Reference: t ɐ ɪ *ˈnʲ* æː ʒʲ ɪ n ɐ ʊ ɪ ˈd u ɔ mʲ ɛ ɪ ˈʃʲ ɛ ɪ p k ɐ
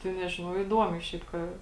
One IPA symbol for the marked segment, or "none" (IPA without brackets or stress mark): nʲ